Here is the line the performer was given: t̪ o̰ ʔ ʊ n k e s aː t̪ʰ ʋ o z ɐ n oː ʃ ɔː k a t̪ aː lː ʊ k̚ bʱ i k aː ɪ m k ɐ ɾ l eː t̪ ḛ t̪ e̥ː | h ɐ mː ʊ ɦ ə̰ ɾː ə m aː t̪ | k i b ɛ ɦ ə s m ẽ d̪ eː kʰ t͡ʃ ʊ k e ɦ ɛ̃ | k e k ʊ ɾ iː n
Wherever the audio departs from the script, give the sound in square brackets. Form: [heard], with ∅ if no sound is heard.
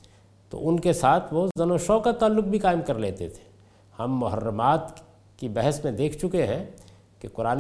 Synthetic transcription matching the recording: t̪ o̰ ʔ ʊ n k e s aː t̪ʰ ʋ o z ɐ n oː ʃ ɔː k a t̪ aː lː ʊ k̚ bʱ i k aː ɪ m k ɐ ɾ l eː t̪ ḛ [t̪ʰ] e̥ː | h ɐ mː ʊ ɦ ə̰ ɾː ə m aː t̪ | k i b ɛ ɦ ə s m ẽ d̪ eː kʰ t͡ʃ ʊ k e ɦ ɛ̃ | k e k ʊ ɾ [aː] n